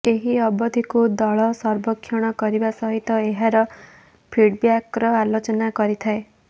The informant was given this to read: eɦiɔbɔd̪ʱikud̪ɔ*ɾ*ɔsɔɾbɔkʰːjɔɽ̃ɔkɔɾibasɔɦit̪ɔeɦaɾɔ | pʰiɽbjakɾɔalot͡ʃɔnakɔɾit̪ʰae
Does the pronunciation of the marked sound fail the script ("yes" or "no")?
yes